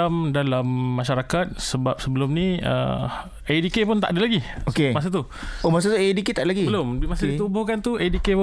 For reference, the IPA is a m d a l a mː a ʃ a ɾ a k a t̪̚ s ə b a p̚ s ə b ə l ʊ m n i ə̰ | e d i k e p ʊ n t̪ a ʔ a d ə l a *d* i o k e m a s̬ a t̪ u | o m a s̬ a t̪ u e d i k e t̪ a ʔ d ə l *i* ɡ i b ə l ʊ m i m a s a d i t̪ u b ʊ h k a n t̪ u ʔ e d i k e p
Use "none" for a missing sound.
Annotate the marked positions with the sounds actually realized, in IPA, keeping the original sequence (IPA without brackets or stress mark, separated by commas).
ɡ, a